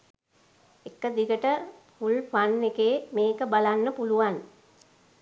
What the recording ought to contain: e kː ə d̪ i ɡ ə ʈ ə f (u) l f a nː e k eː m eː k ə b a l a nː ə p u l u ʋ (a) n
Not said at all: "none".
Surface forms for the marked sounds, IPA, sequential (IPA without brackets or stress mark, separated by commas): u, a